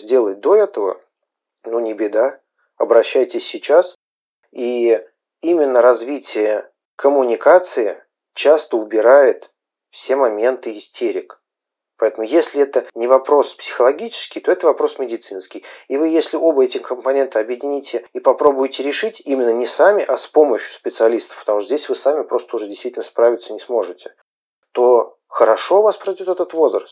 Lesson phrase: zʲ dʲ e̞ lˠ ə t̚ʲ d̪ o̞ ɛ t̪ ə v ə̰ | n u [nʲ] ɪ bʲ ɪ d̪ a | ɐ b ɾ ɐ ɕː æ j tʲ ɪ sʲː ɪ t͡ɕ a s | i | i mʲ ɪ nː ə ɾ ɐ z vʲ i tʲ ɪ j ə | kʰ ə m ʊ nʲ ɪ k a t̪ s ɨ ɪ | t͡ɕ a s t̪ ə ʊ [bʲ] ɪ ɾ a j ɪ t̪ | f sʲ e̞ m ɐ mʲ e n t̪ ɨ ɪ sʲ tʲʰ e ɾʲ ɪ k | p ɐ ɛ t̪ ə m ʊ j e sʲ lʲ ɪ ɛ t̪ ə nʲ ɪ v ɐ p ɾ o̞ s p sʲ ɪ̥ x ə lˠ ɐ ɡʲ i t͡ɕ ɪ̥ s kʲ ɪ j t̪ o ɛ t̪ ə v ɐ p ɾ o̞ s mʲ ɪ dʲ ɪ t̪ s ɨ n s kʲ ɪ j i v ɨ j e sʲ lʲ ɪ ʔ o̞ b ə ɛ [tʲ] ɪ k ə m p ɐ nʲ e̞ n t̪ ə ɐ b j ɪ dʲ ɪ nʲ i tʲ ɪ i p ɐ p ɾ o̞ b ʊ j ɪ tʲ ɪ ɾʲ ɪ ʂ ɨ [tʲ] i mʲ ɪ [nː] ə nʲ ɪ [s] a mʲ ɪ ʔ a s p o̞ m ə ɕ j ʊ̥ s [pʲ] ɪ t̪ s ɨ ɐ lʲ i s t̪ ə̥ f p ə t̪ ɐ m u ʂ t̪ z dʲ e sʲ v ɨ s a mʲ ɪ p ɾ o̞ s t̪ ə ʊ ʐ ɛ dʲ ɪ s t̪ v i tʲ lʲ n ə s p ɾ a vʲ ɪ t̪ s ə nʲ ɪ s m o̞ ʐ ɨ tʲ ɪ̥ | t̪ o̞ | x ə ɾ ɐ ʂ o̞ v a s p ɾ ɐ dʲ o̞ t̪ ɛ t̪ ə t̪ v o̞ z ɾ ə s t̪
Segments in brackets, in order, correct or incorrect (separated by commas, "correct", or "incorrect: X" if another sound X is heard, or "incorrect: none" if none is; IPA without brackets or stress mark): correct, correct, correct, correct, correct, correct, correct